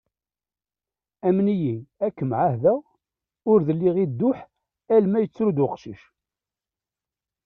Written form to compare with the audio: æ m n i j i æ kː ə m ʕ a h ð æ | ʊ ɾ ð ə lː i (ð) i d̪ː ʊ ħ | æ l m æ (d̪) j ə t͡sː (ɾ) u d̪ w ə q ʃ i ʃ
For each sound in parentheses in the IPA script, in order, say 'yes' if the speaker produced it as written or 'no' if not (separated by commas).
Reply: no, no, yes